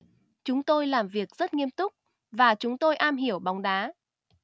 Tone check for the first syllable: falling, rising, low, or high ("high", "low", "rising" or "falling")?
rising